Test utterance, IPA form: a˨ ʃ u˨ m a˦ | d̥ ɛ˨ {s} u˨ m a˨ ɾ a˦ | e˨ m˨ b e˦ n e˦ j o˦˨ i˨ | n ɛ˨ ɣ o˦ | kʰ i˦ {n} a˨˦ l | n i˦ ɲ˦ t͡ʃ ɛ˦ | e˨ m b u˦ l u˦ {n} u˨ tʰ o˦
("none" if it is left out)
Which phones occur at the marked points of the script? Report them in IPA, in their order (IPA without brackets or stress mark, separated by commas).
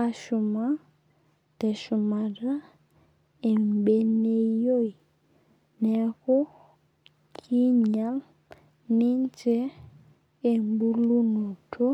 ʃ, ɲ, n